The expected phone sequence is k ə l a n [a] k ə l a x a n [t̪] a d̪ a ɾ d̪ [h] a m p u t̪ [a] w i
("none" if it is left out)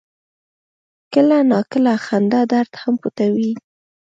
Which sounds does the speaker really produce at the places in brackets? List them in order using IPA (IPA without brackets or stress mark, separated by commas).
ɑ, d̪, h, a